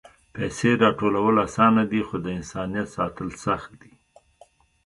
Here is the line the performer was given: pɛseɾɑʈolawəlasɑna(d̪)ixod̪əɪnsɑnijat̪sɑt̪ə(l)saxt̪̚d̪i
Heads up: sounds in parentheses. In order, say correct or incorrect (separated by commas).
correct, correct